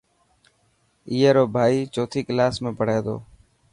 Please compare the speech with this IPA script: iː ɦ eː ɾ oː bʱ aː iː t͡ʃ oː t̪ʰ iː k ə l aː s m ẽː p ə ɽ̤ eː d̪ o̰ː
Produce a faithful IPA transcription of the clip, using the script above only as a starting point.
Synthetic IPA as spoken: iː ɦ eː ɾ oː bʱ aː iː t͡ʃ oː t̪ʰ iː k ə l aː s m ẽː p ə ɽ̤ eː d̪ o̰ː